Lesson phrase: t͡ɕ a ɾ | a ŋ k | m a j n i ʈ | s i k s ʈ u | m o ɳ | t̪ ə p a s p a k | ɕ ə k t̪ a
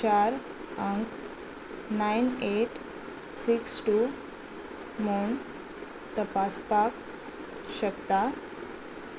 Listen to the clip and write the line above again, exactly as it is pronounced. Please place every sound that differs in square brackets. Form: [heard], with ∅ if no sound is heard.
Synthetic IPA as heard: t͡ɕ a ɾ | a ŋ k | [n] a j n [e] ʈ | s i k s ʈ u | m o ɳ | t̪ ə p a s p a k | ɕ ə k t̪ a